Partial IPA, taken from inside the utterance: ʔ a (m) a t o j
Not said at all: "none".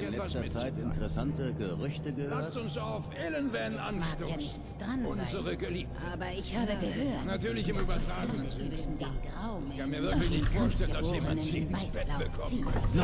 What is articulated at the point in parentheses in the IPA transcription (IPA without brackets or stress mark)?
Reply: n